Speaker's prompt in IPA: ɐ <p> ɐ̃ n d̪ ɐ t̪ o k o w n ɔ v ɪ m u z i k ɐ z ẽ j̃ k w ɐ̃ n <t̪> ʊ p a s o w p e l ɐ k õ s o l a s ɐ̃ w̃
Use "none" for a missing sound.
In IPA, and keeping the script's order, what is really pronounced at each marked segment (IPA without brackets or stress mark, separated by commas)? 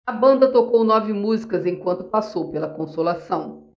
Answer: b, t̪